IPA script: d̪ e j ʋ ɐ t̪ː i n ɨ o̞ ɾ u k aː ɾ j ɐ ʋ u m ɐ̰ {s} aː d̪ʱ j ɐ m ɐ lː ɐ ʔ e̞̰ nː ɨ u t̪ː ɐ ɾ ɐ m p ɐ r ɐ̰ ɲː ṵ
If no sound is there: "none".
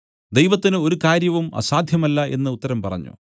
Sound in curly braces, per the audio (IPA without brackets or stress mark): s